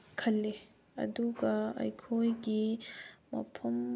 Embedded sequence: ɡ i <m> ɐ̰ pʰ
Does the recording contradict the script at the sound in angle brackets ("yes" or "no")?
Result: no